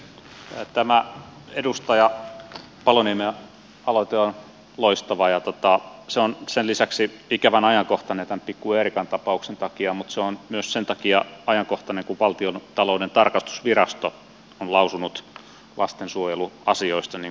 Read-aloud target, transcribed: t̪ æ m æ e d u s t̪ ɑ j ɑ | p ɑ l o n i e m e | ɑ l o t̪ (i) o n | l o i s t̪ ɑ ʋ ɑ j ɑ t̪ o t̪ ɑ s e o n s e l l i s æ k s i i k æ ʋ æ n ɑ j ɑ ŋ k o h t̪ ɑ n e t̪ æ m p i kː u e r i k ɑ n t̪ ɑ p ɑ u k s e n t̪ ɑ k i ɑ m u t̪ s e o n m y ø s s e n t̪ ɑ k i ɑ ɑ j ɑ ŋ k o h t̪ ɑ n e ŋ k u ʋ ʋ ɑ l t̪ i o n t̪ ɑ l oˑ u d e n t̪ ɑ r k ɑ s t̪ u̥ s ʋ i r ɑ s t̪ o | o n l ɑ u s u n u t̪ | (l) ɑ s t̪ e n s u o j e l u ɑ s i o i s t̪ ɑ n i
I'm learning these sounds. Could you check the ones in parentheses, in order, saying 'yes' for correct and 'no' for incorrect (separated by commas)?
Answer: no, yes